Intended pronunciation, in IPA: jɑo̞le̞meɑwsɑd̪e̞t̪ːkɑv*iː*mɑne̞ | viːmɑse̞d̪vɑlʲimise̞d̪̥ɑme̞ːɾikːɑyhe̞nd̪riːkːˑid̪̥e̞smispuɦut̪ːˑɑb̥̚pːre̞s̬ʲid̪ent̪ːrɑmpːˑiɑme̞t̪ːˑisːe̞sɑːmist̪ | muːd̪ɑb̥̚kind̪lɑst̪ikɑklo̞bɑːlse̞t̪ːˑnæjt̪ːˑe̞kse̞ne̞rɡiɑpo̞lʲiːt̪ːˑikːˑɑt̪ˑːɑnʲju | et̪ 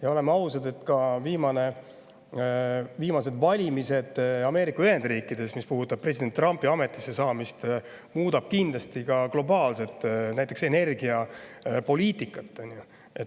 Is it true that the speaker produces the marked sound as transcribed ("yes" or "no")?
yes